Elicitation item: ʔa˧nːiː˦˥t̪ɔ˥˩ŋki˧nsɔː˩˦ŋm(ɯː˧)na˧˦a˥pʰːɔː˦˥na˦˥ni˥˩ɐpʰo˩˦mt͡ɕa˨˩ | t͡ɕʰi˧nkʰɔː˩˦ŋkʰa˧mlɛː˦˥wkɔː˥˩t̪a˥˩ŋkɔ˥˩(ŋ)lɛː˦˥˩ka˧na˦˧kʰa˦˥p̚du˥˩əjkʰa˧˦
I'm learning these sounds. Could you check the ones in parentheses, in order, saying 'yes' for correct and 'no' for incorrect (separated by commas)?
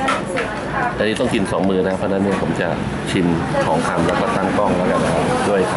yes, yes